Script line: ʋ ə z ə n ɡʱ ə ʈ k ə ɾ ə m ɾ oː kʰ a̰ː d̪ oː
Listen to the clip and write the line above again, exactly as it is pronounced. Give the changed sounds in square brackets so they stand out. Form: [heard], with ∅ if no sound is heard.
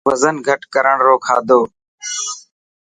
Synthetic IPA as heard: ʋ ə z ə n ɡʱ ə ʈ k ə ɾ ə [ɳ] ɾ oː kʰ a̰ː d̪ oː